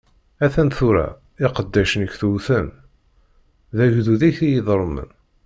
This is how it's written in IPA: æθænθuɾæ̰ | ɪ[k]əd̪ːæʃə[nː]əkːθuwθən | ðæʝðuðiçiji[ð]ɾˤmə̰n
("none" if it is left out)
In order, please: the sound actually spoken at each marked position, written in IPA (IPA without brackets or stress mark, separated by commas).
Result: q, n, ð